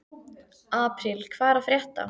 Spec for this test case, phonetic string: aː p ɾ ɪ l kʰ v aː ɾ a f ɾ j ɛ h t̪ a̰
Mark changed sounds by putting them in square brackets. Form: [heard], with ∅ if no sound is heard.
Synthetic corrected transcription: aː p ɾ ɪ l kʰ v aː ɾ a f ɾ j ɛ h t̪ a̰

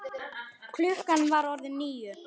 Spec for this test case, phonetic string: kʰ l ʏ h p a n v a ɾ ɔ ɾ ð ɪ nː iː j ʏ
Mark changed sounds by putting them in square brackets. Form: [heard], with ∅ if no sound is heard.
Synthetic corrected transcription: kʰ l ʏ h [k] a n v a ɾ ɔ ɾ ð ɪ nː iː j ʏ

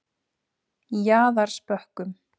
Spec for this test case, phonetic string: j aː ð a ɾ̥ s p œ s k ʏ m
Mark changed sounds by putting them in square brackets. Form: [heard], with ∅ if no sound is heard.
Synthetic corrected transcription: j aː ð a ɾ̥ s p œ [h] k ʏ m

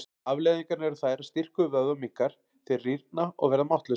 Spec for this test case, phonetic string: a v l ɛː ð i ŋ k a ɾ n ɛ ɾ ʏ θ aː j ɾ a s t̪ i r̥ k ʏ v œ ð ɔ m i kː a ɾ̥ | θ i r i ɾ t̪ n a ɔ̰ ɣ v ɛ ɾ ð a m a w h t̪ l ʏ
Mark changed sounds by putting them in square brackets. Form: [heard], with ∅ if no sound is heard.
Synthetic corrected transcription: a v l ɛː ð i ŋ k a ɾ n ɛ ɾ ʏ θ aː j ɾ a s t̪ i r̥ k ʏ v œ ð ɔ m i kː a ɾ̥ | θ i r i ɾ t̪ n a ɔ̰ ɣ v ɛ ɾ ð a m a w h t̪ l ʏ

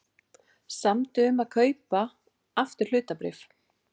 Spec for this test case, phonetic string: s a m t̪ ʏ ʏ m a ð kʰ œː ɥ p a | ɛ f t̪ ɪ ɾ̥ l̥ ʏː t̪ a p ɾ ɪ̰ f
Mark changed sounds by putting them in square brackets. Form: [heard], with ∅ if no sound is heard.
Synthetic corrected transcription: s a m t̪ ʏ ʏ m a ð kʰ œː ɥ p a | [a] f t̪ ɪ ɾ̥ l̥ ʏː t̪ a p ɾ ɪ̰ f

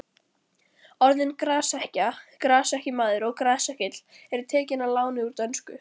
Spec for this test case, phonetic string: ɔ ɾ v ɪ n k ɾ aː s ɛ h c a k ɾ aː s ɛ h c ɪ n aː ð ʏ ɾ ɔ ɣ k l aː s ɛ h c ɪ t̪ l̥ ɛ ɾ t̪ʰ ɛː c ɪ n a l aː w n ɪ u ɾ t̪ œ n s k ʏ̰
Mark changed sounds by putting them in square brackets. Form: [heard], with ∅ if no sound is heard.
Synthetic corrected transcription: ɔ ɾ [ð] ɪ n k ɾ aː s ɛ h c a k ɾ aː s ɛ h c ɪ [m] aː ð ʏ ɾ ɔ ɣ k [ɾ] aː s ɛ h c ɪ t̪ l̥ ɛ ɾ t̪ʰ ɛː c ɪ n a l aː w n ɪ u ɾ t̪ œ n s k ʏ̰

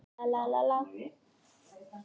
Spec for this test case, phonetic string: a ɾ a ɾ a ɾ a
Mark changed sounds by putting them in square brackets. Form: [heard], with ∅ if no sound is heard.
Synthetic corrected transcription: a [l] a [l] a [l] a

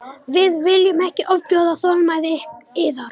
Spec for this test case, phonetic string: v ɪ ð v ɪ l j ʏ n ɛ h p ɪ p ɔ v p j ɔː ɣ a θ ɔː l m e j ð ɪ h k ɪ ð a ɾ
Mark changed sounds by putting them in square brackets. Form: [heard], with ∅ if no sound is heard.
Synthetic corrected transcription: v ɪ ð v ɪ l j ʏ [m] ɛ h [c] ɪ [ʔ] ɔ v p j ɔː [ð] a θ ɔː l m [a] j ð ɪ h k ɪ ð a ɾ

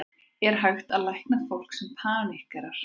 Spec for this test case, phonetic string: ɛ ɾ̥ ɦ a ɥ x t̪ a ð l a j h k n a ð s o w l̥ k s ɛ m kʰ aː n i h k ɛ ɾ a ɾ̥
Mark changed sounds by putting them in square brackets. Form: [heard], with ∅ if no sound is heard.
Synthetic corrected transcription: ɛ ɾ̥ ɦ a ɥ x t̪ a ð l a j h k n a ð [f] o w l̥ k s ɛ m [pʰ] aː n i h k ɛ ɾ a ɾ̥

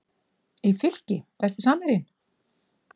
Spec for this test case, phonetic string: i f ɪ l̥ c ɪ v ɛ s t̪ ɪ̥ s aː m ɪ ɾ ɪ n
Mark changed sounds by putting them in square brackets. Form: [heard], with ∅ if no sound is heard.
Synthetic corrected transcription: i f ɪ l̥ c ɪ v ɛ s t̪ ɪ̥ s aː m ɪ ɾ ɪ n

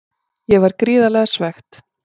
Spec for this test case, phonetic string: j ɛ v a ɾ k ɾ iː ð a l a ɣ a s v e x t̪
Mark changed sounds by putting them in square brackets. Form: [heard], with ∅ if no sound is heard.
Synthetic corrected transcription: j ɛ v a ɾ k ɾ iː ð a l [ɛ] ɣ a s v [ɛ] x t̪

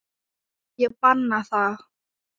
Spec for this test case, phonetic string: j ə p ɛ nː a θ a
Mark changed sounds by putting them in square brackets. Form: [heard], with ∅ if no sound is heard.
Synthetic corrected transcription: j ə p [a] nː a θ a

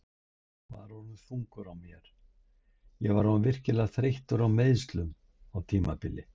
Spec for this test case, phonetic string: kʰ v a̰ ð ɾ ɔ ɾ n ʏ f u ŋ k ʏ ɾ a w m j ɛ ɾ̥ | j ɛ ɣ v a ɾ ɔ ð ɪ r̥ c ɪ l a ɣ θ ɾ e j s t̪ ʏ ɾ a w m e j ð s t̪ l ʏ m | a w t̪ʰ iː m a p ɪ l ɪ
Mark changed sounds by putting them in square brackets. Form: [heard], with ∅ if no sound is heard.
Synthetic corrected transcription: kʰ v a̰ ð ɾ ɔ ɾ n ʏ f u ŋ k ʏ ɾ a w m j ɛ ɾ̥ | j ɛ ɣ v a ɾ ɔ [v] ɪ r̥ c ɪ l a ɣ θ ɾ e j [h] t̪ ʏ ɾ a w m e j ð s t̪ l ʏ m | a w t̪ʰ iː m a p ɪ l ɪ

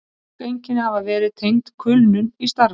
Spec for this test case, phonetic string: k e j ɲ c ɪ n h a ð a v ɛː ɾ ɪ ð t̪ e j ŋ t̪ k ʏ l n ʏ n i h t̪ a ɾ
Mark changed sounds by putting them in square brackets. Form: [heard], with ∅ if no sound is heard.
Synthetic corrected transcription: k e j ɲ c ɪ n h a [v] a v ɛː ɾ ɪ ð [t̪ʰ] e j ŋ t̪ [kʰ] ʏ l n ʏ n i [s] t̪ a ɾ

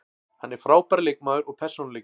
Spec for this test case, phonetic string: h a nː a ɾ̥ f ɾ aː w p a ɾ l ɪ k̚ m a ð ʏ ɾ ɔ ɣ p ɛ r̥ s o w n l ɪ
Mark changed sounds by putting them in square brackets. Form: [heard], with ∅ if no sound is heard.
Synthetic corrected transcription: h a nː [ɛ] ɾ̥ f ɾ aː w p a ɾ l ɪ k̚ m a ð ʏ ɾ ɔ ɣ [pʰ] ɛ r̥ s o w n l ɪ

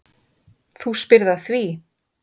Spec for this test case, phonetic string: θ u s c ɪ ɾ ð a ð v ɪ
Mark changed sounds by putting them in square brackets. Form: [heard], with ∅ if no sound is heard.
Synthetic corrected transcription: θ u s [p] ɪ ɾ ð a [θ] v [i]

